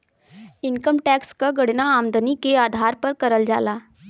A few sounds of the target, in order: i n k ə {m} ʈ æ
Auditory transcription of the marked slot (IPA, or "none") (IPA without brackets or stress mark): m